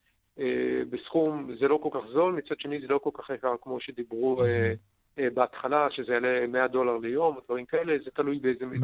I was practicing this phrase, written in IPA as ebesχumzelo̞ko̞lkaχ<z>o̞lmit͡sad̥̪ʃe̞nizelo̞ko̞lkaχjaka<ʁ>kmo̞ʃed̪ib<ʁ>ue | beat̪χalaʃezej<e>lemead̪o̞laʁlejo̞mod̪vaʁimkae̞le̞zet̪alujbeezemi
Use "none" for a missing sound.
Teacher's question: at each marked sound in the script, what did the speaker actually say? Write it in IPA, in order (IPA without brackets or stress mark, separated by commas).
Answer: z, ʁ, ʁ, a